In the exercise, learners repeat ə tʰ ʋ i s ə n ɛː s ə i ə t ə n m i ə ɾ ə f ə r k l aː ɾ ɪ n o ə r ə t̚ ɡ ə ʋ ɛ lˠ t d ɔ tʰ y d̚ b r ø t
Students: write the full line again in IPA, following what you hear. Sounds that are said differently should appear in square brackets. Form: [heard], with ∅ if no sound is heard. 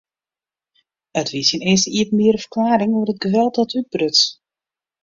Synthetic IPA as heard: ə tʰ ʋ i s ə n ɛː s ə i ə t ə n m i ə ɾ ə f ə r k l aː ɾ ɪ [ŋ] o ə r ə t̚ ɡ ə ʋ ɛ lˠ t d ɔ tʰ y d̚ b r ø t